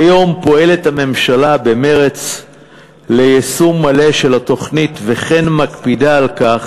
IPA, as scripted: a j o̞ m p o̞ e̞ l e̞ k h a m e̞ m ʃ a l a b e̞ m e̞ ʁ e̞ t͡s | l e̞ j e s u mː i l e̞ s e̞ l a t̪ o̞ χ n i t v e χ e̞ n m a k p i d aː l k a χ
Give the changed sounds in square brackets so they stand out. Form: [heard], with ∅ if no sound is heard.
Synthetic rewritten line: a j o̞ m p o̞ e̞ l e̞ [t] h a m e̞ m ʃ a l a b e̞ m e̞ ʁ e̞ t͡s | l e̞ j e s u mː [a] l e̞ [ʃ] e̞ l a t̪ o̞ χ n i t v e χ e̞ n m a k p i d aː l k a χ